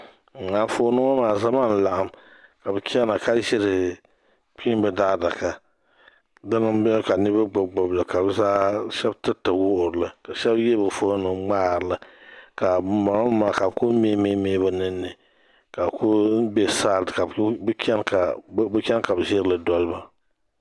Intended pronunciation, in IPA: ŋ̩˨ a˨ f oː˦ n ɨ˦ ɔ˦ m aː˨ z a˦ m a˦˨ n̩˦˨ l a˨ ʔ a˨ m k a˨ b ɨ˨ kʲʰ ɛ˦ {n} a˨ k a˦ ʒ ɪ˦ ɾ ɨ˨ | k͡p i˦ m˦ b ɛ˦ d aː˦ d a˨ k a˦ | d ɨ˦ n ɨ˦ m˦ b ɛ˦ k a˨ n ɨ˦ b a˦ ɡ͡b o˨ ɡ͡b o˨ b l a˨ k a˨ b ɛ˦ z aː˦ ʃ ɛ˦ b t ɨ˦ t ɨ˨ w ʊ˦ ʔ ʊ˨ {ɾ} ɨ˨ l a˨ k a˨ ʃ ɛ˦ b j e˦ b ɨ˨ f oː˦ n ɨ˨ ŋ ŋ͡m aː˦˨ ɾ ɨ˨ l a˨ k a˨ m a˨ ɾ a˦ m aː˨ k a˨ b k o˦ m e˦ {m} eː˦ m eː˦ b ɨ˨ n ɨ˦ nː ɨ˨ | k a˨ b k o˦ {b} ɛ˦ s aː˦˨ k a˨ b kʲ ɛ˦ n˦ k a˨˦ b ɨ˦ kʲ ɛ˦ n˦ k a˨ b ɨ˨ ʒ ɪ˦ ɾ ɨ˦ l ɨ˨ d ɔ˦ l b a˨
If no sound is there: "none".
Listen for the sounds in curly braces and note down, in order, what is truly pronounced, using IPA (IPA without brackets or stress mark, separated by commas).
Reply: n, ɾ, m, b